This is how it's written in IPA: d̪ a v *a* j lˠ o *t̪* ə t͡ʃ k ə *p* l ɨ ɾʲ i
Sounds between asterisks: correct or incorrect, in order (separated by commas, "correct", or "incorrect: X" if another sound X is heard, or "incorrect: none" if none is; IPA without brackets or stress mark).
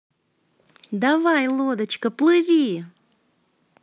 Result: correct, incorrect: d̪, correct